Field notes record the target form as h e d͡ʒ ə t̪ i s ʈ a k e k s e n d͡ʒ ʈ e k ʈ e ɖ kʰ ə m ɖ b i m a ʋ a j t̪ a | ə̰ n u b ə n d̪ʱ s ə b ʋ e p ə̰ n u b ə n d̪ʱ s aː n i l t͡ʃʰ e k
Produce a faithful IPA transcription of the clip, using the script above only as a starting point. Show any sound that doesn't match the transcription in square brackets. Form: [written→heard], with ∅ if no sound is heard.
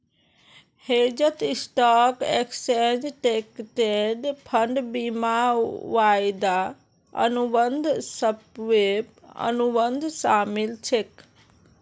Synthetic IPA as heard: h e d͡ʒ ə t̪ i s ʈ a k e k s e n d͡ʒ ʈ e k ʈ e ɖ [kʰ→pʰ] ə [m→ɳ] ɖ b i m a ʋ a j [t̪→d̪] a | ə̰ n u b ə n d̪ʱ s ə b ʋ e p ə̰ n u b ə n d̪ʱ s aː [n→m] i l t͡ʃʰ e k